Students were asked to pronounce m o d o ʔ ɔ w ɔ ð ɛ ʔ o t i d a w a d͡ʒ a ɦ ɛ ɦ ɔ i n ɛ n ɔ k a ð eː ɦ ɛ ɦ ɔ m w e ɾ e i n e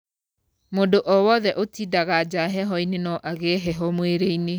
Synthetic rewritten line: m o d o ʔ ɔ w ɔ ð ɛ ʔ o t i d a ɣ a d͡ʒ a ɦ ɛ ɦ ɔ i n e n ɔ ʔ a ɣ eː ɦ ɛ ɦ ɔ m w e ɾ e i n e